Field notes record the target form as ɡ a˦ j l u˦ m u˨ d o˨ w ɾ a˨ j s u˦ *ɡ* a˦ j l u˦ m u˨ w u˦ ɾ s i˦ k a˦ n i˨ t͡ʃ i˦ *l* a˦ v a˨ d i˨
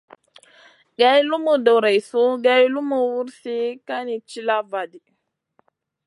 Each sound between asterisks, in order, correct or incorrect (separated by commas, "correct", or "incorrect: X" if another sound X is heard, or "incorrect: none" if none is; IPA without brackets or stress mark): correct, correct